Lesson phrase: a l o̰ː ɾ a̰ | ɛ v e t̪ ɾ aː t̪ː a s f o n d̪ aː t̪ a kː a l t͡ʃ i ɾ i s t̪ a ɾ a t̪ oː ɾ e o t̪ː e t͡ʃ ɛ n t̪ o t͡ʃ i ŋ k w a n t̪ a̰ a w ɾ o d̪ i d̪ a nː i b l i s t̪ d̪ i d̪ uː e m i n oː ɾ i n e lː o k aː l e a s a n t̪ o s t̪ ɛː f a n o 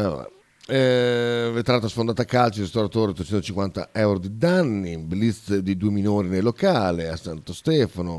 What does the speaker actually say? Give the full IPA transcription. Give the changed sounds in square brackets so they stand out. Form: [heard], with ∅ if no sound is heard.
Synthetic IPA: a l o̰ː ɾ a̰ | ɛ v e t̪ ɾ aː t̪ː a s f o n d̪ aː t̪ a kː a l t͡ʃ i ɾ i s t̪ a ɾ a t̪ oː ɾ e o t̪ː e t͡ʃ ɛ n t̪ o t͡ʃ i ŋ k w a n t̪ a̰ [ɛ] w ɾ o d̪ i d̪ a nː i b l i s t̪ d̪ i d̪ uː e m i n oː ɾ i n e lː o k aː l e a s a n t̪ o s t̪ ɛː f a n o